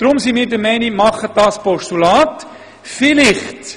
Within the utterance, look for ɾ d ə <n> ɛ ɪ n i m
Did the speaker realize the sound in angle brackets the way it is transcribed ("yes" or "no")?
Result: no